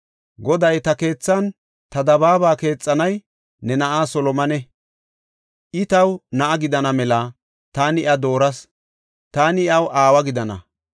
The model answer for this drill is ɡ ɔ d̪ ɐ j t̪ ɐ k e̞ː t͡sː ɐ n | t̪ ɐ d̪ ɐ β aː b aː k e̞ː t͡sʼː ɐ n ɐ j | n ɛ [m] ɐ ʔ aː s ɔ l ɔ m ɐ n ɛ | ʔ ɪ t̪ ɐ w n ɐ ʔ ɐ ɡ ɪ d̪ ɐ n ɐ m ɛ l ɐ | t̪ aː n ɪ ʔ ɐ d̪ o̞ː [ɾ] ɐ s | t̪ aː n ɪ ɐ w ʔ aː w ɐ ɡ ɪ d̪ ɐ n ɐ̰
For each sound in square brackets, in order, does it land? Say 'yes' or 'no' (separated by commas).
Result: no, yes